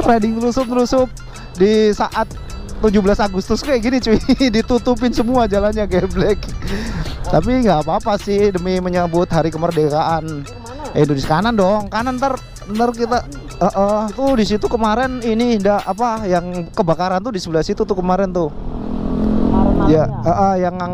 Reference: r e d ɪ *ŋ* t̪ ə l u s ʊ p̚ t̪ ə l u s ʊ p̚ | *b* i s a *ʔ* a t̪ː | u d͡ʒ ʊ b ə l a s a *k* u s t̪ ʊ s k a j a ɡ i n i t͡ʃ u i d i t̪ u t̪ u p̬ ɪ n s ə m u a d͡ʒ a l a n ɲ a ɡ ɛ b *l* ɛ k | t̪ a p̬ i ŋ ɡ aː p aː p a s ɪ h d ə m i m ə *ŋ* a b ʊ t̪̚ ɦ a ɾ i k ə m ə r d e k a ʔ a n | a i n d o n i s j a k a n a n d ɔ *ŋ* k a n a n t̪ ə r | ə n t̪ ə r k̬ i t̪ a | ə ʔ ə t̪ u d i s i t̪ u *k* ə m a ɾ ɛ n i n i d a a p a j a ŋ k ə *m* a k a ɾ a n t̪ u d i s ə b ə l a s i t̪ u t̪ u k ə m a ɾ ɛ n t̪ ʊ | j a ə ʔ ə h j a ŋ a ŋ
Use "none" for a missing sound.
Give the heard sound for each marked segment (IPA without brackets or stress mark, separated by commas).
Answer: ŋ, d, ʔ, ɡ, l, ɲ, ŋ, k, b